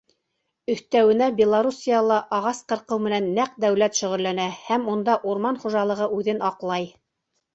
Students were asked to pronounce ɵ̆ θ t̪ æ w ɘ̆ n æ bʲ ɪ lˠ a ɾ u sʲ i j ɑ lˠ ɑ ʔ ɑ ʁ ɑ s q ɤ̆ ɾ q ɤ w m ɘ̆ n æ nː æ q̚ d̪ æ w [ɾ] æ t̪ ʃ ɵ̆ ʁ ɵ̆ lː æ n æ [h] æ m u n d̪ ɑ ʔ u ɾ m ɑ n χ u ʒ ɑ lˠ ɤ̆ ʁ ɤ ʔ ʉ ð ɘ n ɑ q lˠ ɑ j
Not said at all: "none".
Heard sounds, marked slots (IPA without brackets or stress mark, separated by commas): l, h